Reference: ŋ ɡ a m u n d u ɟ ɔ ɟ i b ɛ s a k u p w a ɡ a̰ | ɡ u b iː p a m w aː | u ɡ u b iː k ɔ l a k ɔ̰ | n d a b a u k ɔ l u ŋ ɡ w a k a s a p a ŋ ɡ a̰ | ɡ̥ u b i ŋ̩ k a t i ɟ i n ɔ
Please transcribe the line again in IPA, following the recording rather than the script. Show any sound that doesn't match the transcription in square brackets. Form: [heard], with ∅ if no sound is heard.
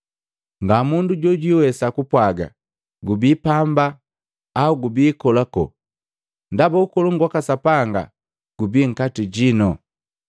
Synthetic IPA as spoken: ŋ ɡ a m u n d u ɟ ɔ ɟ i [w] ɛ s a k u p w a ɡ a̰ | ɡ u b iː p a m [b] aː | u ɡ u b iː k ɔ l a k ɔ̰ | n d a b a u k ɔ l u ŋ ɡ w a k a s a p a ŋ ɡ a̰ | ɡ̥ u b i ŋ̩ k a t i ɟ i n ɔ